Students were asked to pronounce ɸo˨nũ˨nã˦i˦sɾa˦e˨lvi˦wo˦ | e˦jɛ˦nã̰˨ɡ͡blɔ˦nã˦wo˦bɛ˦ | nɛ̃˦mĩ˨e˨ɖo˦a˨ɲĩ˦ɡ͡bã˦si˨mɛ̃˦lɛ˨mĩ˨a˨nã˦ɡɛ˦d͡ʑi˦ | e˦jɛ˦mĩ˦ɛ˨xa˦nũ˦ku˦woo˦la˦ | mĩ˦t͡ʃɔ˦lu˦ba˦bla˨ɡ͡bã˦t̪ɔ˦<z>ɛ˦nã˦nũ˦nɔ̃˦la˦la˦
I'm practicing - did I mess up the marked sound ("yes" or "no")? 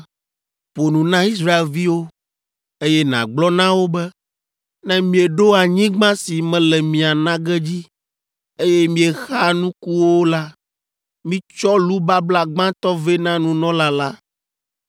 yes